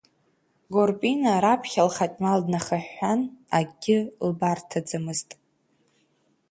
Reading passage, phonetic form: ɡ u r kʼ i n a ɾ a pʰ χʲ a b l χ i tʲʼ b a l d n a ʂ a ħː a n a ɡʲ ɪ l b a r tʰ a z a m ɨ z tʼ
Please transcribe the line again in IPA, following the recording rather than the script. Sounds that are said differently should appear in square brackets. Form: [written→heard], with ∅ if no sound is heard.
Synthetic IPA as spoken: ɡ [u→o] r [kʼ→pʼ] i n a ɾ a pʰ χʲ a [b→∅] l χ [i→a] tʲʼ [b→m] a l d n a [ʂ→χ] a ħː a n a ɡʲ ɪ l b a r tʰ a [z→d͡z] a m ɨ z tʼ